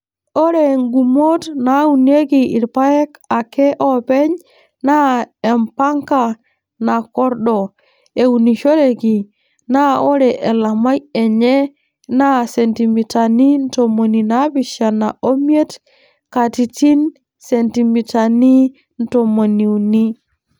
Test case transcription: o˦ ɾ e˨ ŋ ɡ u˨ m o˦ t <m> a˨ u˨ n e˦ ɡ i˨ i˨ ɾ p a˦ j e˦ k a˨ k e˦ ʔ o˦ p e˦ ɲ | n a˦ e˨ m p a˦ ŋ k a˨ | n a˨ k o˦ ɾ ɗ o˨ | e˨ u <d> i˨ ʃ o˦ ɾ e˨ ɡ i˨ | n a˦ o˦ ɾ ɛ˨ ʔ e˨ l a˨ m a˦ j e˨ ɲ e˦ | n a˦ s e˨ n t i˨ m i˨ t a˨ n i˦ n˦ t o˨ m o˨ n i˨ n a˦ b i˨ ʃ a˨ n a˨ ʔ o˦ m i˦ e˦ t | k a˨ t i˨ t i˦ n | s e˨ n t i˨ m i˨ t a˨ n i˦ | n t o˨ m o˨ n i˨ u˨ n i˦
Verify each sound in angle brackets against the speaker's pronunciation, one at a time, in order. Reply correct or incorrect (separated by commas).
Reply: incorrect, incorrect